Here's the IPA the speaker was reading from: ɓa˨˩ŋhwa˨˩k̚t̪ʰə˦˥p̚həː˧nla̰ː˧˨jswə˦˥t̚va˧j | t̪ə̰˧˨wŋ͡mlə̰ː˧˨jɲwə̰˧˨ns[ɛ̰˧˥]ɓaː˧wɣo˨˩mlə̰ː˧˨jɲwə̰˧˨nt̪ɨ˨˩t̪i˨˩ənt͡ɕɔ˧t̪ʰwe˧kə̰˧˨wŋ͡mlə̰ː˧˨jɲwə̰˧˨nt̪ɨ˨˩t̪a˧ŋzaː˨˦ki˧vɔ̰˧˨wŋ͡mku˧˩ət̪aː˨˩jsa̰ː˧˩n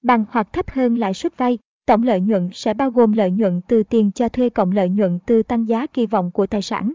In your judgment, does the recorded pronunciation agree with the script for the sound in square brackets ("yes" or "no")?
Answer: yes